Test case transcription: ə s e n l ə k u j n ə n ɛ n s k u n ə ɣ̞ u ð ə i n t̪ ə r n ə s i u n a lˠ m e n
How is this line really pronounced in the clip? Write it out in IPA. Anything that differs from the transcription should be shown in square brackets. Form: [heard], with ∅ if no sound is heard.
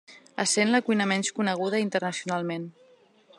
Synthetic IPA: ə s e n l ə k u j n ə [m] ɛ n s k u n ə ɣ̞ u ð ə i n t̪ ə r n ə s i u n a lˠ m e n